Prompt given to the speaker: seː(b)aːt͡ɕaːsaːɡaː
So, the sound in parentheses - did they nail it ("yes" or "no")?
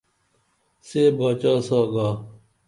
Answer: yes